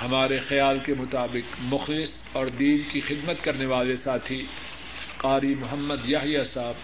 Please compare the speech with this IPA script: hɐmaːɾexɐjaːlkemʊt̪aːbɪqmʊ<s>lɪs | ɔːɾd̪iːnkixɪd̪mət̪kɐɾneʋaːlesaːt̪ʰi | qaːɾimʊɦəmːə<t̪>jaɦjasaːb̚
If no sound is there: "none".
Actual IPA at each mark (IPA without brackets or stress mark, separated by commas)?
x, d̪